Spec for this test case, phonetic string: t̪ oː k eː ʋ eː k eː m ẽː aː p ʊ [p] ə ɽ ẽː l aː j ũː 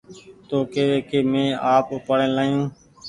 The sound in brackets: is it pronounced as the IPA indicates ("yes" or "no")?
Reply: yes